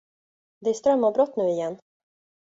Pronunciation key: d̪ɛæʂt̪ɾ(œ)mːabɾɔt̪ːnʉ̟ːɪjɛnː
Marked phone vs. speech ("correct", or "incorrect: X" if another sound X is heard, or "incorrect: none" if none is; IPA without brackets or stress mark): correct